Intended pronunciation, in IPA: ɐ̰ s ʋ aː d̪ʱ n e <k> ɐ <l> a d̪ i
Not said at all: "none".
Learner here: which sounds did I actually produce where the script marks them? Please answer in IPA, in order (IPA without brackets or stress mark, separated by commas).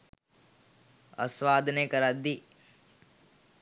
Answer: k, ɾ